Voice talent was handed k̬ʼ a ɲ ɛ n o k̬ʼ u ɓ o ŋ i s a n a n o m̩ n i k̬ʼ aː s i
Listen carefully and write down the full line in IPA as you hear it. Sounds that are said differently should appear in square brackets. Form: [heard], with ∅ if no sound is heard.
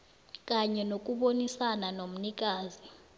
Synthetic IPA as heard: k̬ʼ a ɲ ɛ n o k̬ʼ u ɓ o [n] i s a n a n o m̩ n i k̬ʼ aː [z] i